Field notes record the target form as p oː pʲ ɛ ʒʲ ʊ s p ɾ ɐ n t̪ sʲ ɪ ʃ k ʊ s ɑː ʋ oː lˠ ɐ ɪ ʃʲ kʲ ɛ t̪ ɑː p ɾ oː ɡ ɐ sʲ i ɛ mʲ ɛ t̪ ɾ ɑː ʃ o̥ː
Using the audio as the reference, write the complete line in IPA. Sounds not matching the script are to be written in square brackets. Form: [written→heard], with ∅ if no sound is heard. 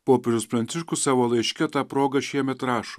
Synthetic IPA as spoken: p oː pʲ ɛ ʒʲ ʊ s p ɾ ɐ n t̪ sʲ ɪ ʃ k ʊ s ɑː ʋ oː lˠ ɐ ɪ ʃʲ kʲ ɛ t̪ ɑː p ɾ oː ɡ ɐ [sʲ→ʃʲ] i ɛ mʲ ɛ t̪ ɾ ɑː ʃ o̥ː